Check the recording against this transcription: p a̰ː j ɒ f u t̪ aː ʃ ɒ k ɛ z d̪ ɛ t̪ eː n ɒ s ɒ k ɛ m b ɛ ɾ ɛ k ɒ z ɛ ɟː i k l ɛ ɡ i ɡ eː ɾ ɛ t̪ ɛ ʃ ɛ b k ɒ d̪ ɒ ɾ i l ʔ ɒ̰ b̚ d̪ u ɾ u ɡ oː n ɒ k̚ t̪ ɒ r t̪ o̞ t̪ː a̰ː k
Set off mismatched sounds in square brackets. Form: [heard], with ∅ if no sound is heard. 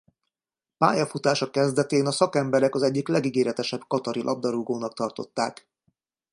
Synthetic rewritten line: p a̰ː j ɒ f u t̪ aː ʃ ɒ k ɛ z d̪ ɛ t̪ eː n ɒ s ɒ k ɛ m b ɛ ɾ ɛ k ɒ z ɛ ɟː i k l ɛ ɡ i ɡ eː ɾ ɛ t̪ ɛ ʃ ɛ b k ɒ [t̪] ɒ ɾ i l ʔ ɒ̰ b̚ d̪ [ɒ] ɾ u ɡ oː n ɒ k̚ t̪ ɒ r t̪ o̞ t̪ː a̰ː k